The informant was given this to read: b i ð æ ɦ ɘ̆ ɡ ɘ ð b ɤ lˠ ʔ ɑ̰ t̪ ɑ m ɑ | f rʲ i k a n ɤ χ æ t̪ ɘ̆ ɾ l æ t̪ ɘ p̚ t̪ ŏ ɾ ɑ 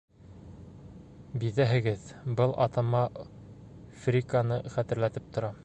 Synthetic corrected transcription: b i ð æ ɦ ɘ̆ ɡ ɘ ð b ɤ lˠ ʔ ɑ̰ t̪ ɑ m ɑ | f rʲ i k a n ɤ χ æ t̪ ɘ̆ ɾ l æ t̪ ɘ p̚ t̪ ŏ ɾ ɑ

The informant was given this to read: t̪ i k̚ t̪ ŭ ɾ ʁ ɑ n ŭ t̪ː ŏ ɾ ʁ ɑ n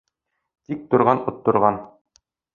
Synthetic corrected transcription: t̪ i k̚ t̪ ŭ ɾ ʁ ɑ n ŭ t̪ː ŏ ɾ ʁ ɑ n

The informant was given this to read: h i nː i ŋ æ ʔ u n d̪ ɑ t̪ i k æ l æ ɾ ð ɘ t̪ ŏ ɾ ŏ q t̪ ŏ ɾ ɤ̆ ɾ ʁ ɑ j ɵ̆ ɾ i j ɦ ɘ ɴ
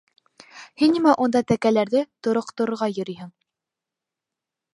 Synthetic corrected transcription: h i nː i m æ ʔ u n d̪ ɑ t̪ æ k æ l æ ɾ ð ɘ t̪ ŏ ɾ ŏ q t̪ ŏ ɾ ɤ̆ ɾ ʁ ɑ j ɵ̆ ɾ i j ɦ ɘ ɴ

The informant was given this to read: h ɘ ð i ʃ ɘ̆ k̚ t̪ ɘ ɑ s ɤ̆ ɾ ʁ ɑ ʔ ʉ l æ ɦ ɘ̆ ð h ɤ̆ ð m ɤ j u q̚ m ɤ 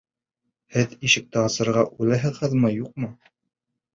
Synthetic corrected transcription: h ɘ ð i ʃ ɘ̆ k̚ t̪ ɘ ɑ s ɤ̆ ɾ ʁ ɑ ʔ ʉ l æ ɦ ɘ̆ ð h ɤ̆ ð m ɤ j u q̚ m ɤ

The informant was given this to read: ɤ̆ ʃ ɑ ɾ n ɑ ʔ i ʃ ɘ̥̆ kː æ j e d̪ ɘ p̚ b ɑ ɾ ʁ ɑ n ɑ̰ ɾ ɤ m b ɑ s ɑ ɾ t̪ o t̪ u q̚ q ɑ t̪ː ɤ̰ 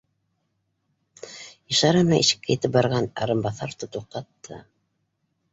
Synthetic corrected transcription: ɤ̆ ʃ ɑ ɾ n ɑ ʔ i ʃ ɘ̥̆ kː æ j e t̪ ɘ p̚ b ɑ ɾ ʁ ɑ n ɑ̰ ɾ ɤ m b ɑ θ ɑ ɾ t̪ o t̪ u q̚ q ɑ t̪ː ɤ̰

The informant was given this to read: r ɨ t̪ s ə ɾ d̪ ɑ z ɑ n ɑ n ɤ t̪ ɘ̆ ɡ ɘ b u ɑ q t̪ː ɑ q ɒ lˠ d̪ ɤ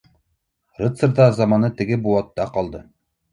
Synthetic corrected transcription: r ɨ t̪ s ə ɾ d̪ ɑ z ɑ m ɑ n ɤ t̪ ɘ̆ ɡ ɘ b u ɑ t̪ː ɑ q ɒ lˠ d̪ ɤ

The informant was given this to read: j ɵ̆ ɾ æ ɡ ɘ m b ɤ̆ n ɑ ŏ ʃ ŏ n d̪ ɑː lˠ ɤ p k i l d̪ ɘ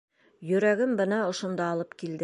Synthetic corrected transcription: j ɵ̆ ɾ æ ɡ ɘ m b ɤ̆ n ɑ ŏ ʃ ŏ n d̪ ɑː lˠ ɤ p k i l d̪ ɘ

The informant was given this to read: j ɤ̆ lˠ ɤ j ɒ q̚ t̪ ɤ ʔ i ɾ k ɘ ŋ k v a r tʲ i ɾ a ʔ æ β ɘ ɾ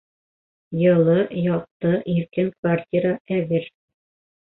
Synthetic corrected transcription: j ɤ̆ lˠ ɤ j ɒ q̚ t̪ ɤ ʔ i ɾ k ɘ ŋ k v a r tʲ i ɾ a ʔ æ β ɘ ɾ

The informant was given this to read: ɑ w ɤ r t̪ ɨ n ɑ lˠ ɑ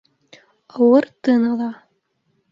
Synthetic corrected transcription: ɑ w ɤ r t̪ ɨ n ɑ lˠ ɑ

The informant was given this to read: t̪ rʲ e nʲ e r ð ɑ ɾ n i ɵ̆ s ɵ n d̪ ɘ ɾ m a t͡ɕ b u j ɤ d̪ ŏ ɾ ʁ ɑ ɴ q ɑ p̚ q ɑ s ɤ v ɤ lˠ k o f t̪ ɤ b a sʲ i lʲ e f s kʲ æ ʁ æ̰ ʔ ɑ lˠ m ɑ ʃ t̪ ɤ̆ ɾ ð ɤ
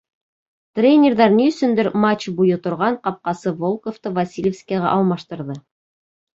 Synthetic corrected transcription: t̪ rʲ e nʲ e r ð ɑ ɾ n i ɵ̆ s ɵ n d̪ ɘ ɾ m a t͡ɕ b u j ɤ t̪ ŏ ɾ ʁ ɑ ɴ q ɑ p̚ q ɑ s ɤ v o lˠ k o f t̪ ɤ v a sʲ i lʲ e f s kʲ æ ʁ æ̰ ʔ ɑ lˠ m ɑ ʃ t̪ ɤ̆ ɾ ð ɤ

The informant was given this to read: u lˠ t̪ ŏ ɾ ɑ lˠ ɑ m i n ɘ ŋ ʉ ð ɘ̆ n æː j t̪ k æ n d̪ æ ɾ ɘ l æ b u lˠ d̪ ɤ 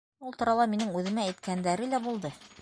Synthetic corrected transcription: u lˠ t̪ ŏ ɾ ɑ lˠ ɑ m i n ɘ ŋ ʉ ð ɘ̆ m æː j t̪ k æ n d̪ æ ɾ ɘ l æ b u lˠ d̪ ɤ

